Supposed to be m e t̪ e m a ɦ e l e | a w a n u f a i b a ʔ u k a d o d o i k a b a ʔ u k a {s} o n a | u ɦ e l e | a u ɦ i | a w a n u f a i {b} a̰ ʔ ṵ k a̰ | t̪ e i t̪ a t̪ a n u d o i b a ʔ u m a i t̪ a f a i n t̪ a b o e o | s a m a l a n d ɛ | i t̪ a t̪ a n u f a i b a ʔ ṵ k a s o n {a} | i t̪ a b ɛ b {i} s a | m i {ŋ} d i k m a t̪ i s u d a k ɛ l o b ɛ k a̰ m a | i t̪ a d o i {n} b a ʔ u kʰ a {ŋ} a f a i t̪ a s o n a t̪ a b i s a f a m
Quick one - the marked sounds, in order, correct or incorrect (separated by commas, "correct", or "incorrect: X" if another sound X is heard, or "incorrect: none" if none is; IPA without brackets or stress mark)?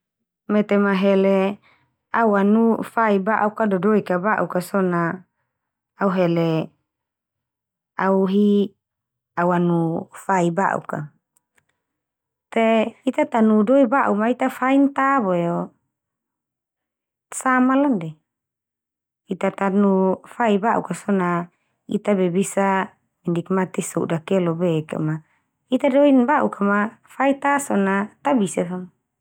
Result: correct, correct, correct, correct, incorrect: n, correct, incorrect: m